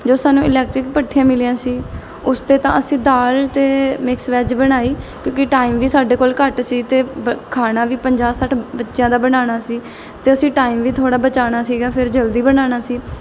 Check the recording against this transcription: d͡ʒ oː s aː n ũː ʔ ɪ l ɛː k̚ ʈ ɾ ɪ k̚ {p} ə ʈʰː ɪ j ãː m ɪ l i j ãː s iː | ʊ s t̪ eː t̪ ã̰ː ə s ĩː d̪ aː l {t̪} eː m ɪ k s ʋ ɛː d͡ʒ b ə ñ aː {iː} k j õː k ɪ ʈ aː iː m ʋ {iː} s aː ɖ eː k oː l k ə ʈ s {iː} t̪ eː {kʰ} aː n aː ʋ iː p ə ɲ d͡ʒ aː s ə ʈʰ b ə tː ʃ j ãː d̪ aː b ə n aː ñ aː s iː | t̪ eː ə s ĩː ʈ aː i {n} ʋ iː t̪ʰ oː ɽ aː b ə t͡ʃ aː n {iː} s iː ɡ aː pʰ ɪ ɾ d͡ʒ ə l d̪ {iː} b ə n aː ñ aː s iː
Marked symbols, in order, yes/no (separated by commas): yes, yes, yes, yes, yes, yes, no, no, yes